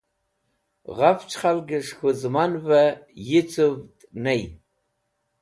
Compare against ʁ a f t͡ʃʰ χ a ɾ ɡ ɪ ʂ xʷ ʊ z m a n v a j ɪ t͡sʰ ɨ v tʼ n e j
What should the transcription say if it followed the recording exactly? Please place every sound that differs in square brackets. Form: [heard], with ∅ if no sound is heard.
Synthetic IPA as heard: ʁ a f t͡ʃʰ χ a [l] ɡ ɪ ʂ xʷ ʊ z m a n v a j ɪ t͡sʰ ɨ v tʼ n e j